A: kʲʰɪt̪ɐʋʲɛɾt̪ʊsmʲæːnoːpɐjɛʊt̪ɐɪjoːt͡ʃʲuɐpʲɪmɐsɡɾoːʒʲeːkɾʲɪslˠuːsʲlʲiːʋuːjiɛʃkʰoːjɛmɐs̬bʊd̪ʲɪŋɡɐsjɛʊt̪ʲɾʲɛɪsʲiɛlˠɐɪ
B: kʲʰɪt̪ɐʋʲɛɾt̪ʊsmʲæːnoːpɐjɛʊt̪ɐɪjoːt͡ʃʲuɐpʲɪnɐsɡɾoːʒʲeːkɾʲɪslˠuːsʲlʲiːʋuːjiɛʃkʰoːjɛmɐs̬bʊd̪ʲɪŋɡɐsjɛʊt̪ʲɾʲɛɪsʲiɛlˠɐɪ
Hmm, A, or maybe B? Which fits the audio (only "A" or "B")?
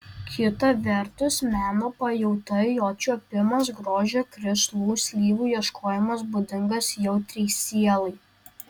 A